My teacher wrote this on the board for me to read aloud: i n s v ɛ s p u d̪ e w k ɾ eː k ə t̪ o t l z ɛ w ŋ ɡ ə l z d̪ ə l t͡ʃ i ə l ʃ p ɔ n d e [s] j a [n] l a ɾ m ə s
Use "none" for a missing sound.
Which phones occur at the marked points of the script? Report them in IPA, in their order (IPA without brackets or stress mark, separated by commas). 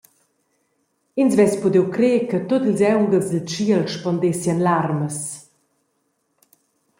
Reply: s, n